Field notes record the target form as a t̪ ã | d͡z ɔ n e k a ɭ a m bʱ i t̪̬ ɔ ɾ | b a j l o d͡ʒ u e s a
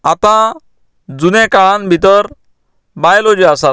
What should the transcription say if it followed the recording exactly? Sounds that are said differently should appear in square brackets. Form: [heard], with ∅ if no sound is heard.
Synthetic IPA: a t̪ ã | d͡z [u] n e k a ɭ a [n] bʱ i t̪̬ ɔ ɾ | b a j l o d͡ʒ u [a] s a